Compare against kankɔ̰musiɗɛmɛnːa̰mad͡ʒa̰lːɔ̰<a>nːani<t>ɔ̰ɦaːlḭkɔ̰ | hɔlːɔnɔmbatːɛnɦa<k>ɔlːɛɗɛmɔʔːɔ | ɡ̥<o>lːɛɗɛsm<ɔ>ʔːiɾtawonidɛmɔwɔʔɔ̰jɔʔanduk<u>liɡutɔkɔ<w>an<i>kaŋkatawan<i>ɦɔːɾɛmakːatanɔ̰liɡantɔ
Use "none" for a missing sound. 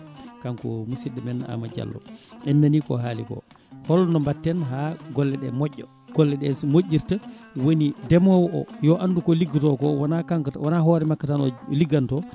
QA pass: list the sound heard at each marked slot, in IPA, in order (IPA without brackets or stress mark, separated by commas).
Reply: ɛ, k, ɡ, ɔ, o, ɔ, w, a, a